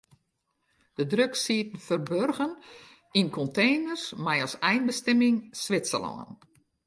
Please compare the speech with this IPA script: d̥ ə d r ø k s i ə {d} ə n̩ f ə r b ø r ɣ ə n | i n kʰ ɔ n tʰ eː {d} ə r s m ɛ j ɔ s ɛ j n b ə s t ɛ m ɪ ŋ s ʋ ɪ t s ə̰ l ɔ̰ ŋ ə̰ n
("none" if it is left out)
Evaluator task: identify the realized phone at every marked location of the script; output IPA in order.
t, n

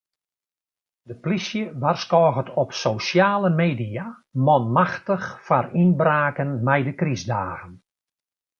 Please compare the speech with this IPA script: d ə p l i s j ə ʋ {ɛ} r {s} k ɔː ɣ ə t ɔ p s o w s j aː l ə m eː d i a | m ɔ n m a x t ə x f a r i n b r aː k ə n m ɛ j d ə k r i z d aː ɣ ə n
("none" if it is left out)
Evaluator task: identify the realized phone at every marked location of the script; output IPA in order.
a, s

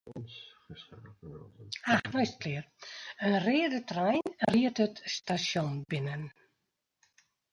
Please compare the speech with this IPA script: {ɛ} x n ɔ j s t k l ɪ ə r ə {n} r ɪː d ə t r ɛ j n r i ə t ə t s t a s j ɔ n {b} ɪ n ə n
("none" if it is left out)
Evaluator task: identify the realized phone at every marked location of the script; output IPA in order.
a, n, b

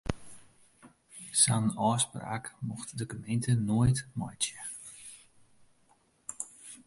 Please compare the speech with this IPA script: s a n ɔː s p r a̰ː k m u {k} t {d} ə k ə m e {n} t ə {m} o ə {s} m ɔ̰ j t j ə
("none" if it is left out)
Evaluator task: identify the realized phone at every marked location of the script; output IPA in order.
x, d, n, n, t

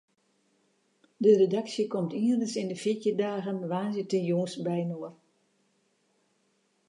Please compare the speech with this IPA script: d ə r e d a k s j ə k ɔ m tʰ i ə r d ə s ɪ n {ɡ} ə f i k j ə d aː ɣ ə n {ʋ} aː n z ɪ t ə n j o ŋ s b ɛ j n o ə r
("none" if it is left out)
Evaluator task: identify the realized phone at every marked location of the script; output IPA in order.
d, ʋ

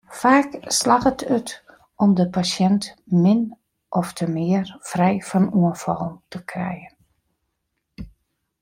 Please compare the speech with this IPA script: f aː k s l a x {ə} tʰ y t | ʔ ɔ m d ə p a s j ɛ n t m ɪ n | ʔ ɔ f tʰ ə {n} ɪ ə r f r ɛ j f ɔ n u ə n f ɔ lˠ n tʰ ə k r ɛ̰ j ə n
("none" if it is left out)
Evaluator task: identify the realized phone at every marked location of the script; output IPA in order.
ə, m

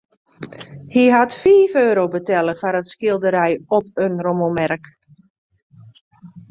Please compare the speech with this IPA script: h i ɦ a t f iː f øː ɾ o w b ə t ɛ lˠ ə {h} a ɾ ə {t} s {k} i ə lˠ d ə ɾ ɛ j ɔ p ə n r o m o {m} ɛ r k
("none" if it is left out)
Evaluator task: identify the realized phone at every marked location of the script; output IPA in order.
f, t, k, m

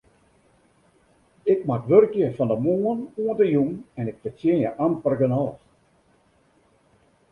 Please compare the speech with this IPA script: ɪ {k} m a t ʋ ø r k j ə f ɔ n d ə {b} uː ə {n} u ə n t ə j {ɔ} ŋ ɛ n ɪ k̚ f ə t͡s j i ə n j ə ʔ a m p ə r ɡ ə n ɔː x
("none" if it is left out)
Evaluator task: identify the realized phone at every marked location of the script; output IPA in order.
k, m, n, u

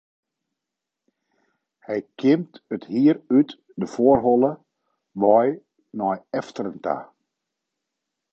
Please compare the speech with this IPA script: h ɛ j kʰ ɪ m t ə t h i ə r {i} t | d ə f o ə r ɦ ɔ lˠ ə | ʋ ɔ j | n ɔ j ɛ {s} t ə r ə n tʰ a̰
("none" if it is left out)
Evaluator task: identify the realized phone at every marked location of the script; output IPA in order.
y, f

